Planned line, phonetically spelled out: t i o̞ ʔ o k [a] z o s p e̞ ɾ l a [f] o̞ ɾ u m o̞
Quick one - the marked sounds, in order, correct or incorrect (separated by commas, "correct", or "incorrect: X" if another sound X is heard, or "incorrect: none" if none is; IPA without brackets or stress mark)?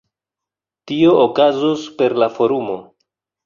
correct, correct